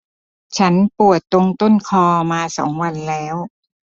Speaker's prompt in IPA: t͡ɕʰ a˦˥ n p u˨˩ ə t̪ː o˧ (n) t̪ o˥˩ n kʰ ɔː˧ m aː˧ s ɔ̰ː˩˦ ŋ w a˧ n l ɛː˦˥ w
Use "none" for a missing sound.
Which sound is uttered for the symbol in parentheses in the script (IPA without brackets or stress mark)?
ŋ